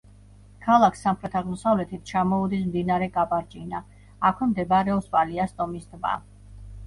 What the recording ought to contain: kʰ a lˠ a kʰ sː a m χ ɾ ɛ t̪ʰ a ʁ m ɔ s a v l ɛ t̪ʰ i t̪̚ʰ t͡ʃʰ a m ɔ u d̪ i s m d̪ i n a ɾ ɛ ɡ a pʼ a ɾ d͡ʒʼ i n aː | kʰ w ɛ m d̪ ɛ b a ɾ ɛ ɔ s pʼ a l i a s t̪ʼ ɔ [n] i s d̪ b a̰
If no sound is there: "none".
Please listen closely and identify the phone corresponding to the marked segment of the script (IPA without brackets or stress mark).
m